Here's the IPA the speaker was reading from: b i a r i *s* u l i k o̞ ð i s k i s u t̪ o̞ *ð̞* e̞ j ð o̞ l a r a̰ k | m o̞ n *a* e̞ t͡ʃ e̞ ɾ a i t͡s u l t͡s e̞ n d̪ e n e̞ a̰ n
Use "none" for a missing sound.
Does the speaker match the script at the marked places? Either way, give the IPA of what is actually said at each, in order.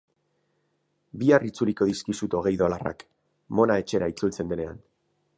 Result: t͡s, ɣ̞, a

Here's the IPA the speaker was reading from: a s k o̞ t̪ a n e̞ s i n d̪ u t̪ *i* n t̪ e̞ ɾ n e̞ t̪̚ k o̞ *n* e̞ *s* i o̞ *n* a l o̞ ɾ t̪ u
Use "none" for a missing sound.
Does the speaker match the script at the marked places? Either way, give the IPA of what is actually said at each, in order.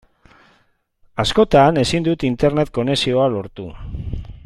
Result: i, n, s, none

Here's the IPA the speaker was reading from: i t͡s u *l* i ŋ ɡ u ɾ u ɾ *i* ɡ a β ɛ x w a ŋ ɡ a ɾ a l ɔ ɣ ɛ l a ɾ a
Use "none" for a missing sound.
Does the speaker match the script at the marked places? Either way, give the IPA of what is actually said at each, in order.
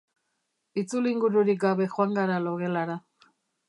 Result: l, i

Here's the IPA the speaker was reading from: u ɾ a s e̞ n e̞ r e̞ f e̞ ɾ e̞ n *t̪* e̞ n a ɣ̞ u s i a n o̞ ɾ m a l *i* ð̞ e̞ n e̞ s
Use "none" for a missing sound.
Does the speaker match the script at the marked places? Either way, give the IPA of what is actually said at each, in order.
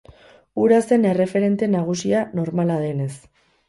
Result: t̪, a

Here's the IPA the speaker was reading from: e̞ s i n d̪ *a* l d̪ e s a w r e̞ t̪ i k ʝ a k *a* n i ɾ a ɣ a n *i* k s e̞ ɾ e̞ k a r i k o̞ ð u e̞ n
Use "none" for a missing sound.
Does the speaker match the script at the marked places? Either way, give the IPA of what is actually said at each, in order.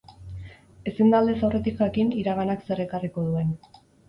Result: a, i, a

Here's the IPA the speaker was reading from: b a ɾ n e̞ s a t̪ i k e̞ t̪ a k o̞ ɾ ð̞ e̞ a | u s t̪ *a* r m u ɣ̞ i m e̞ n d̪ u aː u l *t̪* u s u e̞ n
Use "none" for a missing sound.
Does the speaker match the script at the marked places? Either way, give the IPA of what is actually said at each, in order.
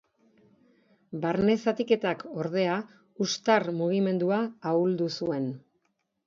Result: a, d̪

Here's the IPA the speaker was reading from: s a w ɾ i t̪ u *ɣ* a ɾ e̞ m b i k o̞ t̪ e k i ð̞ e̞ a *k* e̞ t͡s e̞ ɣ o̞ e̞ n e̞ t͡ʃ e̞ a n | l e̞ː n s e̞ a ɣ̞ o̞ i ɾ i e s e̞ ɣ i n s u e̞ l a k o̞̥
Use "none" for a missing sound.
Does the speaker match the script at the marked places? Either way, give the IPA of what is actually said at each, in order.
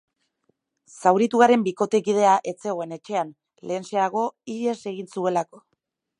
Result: ɣ, ʔ

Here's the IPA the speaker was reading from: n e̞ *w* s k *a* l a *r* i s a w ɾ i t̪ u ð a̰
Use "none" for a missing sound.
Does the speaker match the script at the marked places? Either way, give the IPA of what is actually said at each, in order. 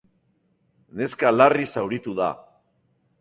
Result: none, a, r

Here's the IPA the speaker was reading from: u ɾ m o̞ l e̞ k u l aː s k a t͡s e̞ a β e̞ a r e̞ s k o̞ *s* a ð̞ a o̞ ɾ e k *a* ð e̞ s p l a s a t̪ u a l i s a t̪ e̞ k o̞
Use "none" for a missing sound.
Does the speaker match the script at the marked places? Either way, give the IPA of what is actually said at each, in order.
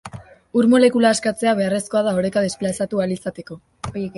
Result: none, a

